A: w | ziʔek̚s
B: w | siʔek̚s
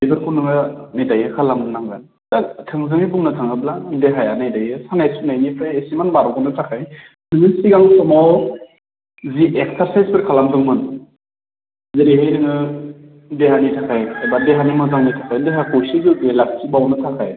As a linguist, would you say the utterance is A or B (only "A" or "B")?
A